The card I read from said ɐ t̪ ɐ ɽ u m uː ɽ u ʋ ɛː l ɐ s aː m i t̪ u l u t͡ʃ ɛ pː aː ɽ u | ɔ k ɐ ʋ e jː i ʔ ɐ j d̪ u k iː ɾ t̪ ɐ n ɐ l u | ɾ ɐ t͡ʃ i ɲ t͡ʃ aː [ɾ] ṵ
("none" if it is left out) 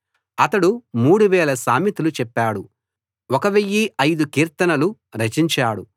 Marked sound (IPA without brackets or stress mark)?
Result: ɽ